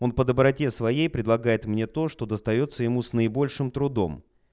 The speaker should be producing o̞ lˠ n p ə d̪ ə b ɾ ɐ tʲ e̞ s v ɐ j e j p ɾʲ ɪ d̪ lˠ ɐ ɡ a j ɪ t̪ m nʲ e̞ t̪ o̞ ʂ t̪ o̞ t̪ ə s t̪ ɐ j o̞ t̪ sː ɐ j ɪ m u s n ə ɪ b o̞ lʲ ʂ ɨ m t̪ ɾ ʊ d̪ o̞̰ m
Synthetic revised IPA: o̞ n p ə d̪ ə b ɾ ɐ tʲ e̞ s v ɐ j e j p ɾʲ ɪ d̪ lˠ ɐ ɡ a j ɪ t̪ m nʲ e̞ t̪ o̞ ʂ t̪ o̞ d̪ ə s t̪ ɐ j o̞ t̪ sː ə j ɪ m u s n ə ɪ b o̞ lʲ ʂ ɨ m t̪ ɾ ʊ d̪ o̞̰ m